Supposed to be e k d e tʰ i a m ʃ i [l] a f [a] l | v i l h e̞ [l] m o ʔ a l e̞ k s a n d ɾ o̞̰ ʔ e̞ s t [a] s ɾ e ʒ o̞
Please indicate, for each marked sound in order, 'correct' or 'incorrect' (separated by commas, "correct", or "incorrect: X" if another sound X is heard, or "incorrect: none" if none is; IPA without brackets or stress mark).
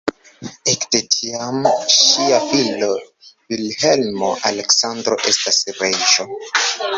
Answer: incorrect: none, incorrect: i, correct, correct